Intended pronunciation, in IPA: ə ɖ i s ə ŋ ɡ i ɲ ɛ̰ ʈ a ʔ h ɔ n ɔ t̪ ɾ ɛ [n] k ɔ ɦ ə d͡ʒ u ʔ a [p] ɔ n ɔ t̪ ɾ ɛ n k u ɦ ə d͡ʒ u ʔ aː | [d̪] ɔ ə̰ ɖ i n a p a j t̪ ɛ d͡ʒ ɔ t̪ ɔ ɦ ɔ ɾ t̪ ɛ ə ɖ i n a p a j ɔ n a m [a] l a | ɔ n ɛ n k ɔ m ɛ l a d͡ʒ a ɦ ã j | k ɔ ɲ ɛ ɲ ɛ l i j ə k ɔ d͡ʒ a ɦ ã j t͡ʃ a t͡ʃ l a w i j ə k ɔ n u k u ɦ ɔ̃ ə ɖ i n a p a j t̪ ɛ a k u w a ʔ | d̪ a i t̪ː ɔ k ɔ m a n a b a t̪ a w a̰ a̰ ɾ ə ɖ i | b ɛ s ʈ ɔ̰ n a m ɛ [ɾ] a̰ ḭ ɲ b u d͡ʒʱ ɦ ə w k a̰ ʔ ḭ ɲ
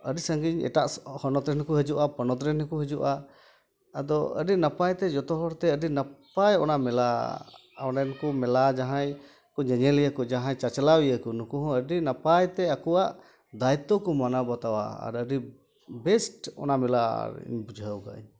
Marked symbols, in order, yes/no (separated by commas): yes, yes, yes, no, no